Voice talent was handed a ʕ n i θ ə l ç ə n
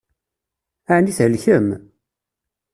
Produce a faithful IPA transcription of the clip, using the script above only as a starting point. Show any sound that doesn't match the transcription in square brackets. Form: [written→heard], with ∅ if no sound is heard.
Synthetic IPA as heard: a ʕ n i θ ə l ç ə [n→m]